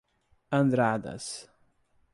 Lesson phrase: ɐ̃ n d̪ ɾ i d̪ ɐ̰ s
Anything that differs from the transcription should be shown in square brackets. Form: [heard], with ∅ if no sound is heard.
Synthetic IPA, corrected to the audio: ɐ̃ n d̪ ɾ [a] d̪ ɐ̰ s